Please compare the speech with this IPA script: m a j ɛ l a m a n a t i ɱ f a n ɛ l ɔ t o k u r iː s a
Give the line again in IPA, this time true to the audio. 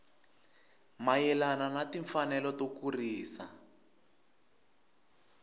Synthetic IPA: m a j ɛ l a n a n a t i ɱ f a n ɛ l ɔ t o k u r iː s a